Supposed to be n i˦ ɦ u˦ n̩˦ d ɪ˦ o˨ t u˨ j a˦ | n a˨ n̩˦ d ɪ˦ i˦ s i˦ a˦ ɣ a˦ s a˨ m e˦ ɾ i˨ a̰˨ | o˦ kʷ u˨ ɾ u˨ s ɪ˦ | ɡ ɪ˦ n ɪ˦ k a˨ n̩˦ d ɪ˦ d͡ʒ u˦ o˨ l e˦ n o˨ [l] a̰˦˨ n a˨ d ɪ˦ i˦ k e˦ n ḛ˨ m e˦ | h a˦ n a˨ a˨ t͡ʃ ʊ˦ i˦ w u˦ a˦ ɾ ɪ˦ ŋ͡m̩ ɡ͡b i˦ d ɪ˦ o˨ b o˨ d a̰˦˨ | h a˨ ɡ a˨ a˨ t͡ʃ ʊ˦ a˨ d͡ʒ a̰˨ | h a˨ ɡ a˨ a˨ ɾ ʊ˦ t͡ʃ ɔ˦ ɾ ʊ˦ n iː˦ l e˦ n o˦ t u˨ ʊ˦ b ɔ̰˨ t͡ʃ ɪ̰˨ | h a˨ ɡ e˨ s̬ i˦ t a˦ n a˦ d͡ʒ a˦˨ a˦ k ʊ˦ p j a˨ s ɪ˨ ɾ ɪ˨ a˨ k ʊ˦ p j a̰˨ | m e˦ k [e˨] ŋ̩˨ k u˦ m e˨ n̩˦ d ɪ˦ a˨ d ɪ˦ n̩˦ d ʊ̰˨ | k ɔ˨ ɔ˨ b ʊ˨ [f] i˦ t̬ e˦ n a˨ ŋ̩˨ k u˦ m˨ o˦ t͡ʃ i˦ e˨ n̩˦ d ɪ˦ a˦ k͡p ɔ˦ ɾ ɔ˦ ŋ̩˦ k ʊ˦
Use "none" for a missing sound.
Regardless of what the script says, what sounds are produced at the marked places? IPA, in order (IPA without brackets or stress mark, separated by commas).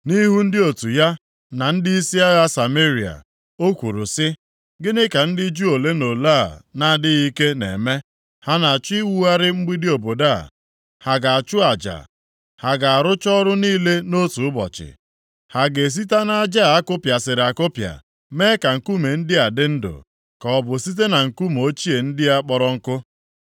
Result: l, a˨, s